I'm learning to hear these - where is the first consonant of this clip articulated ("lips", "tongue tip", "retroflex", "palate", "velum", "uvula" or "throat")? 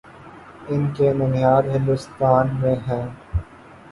tongue tip